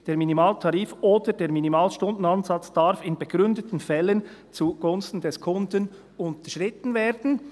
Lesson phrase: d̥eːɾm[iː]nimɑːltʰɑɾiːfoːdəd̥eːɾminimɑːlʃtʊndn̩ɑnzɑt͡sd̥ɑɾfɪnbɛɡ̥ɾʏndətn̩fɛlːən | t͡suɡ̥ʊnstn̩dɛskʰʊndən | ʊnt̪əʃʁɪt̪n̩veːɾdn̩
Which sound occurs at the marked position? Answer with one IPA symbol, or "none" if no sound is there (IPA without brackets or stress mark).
i